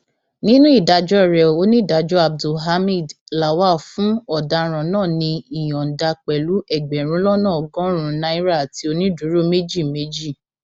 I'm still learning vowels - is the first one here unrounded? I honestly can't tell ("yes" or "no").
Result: yes